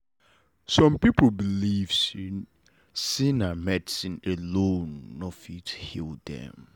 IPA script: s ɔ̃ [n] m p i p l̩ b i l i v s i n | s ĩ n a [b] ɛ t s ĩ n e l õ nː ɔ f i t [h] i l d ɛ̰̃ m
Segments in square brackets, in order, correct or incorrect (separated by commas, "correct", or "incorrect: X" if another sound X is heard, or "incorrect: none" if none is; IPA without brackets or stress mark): incorrect: none, incorrect: m, correct